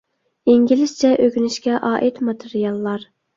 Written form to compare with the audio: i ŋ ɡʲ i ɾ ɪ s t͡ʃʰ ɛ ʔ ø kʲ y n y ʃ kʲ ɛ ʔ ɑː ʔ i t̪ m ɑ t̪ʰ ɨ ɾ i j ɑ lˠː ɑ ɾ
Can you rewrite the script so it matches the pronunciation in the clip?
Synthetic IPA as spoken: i ŋ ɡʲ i l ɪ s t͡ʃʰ ɛ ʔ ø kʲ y n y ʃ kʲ ɛ ʔ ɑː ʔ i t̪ m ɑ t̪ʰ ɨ ɾ i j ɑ lˠː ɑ ɾ